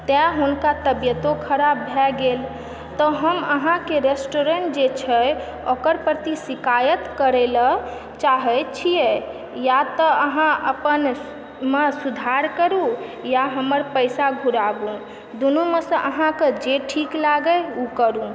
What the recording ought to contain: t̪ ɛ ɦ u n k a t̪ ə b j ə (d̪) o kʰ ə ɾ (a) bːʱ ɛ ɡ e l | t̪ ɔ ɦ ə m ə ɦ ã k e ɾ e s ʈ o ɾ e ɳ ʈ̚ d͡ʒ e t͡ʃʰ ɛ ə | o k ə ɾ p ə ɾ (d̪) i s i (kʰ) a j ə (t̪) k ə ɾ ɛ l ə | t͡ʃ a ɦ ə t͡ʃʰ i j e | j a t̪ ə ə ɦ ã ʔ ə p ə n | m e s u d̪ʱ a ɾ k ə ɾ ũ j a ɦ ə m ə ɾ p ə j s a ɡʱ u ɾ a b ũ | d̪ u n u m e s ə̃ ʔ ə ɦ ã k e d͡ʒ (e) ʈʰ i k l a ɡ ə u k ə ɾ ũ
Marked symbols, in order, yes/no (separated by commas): no, yes, no, no, yes, yes